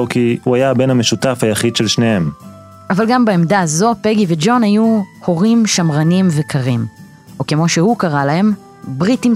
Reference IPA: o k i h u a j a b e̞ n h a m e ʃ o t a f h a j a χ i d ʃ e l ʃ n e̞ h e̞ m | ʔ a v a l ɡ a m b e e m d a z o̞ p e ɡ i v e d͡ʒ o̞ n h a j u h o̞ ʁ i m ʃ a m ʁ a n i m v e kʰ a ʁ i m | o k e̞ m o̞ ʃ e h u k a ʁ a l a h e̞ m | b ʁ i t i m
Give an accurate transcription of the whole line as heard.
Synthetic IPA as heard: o k i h u a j a b e̞ n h a m e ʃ u t a f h a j a χ i d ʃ e l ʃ n e̞ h e̞ m | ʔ a v a l ɡ a m b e e m d a z o̞ p e ɡ i v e d͡ʒ o̞ n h a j u h o̞ ʁ i m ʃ a m ʁ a n i m v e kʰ a ʁ i m | o k e̞ m o̞ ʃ e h u k a ʁ a l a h e̞ m | b ʁ i t i m